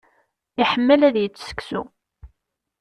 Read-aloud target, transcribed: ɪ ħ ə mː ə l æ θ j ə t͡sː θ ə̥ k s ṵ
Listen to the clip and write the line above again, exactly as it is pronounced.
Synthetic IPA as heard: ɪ ħ ə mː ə l æ ð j ə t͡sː s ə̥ k s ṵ